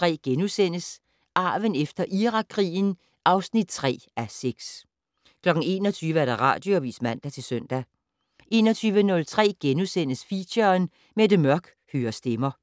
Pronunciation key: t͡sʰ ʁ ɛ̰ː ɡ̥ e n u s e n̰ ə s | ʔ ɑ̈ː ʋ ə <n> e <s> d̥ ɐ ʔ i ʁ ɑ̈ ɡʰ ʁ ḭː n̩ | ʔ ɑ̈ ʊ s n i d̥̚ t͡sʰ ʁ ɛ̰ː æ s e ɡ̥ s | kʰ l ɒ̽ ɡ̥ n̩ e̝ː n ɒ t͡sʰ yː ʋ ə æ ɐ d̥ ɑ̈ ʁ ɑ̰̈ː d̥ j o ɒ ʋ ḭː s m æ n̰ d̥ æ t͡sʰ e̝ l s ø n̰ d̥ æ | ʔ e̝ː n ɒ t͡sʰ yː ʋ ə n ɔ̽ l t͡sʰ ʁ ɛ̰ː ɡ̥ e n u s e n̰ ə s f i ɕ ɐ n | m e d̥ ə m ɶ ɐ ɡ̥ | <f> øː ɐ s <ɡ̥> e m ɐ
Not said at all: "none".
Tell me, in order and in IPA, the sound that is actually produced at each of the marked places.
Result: n, f, h, d̥

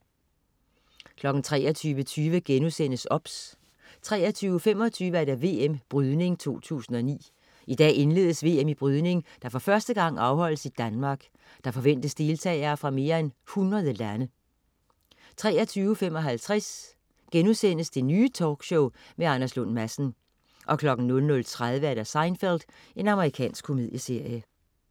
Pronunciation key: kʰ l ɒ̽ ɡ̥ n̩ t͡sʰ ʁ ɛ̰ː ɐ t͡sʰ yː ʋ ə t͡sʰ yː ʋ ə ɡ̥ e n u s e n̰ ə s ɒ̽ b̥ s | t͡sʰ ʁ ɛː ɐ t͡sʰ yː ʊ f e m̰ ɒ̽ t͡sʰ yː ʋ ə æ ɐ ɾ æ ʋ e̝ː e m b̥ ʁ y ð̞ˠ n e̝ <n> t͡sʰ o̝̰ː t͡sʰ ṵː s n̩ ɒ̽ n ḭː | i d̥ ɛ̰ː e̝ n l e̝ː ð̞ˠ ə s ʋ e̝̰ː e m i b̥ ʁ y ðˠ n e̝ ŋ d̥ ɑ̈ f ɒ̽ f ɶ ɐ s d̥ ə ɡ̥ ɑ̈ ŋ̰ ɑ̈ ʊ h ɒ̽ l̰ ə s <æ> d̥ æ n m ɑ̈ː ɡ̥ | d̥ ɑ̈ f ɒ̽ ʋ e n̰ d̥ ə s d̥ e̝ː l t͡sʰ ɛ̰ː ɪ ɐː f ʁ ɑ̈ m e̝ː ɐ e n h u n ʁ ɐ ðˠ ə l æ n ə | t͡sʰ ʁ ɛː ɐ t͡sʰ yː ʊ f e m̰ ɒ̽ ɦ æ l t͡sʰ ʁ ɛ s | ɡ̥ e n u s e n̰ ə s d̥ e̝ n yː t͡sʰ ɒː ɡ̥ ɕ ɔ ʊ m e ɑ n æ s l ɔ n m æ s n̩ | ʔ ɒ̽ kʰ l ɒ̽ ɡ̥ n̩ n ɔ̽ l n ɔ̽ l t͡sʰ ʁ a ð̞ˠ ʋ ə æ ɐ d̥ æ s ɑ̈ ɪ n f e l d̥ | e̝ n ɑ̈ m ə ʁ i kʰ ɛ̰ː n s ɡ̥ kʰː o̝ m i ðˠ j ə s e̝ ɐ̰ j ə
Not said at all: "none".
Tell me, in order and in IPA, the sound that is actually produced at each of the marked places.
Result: ŋ, i

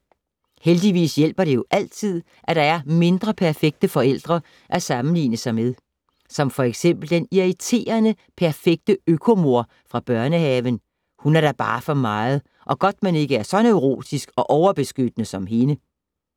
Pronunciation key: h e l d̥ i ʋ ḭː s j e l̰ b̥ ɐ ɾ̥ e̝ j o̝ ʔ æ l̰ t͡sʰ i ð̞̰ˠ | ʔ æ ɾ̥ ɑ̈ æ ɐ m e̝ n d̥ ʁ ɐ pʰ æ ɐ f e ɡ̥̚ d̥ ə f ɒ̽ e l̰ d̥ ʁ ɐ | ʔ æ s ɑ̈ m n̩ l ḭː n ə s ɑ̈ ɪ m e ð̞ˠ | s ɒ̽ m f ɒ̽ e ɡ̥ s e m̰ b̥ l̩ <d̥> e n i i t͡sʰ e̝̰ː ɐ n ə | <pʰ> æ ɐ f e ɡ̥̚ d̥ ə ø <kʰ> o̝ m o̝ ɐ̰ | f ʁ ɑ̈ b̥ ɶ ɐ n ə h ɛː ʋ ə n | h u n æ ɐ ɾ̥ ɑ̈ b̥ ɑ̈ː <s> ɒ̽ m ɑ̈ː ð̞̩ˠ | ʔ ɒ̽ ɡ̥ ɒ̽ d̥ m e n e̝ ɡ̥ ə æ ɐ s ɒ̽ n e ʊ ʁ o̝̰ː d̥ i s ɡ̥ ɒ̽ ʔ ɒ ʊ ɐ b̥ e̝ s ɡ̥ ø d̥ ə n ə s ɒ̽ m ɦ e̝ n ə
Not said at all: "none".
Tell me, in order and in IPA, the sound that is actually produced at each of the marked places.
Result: d̥, pʰ, kʰ, f

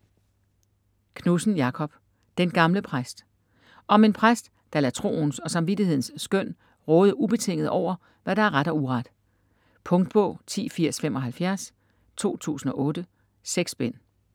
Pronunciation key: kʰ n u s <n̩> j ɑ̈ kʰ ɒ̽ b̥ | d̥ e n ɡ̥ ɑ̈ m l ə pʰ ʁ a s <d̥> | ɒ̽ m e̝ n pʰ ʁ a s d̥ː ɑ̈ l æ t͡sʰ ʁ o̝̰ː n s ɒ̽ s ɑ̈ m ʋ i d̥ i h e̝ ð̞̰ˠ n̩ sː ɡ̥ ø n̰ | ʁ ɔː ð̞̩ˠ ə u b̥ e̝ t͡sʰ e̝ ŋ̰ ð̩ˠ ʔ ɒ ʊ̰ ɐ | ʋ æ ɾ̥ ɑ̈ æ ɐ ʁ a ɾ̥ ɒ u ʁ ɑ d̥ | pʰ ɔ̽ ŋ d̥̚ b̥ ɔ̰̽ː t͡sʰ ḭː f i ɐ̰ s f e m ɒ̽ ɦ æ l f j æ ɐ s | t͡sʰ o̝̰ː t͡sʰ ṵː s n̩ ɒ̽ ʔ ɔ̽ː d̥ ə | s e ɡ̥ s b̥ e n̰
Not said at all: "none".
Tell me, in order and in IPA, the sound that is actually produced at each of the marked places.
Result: n̩, d̥

